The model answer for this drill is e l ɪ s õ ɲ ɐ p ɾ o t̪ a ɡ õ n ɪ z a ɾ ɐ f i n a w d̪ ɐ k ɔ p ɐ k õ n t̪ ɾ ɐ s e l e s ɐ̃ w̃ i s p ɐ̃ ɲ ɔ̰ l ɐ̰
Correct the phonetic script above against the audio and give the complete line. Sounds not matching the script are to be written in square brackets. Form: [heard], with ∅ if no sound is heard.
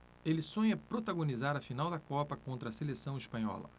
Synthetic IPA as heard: e l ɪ s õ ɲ ɐ p ɾ o t̪ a ɡ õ n [i] z a ɾ ɐ f i n a w d̪ ɐ k ɔ p ɐ k õ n t̪ ɾ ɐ s e l e s ɐ̃ w̃ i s p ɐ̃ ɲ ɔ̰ l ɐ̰